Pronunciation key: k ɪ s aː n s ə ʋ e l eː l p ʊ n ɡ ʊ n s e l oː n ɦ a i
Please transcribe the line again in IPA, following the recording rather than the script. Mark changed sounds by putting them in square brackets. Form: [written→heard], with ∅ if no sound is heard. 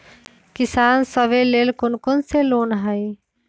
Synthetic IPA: k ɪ s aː n s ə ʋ e l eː l [p→k] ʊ n [ɡ→k] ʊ n s e l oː n ɦ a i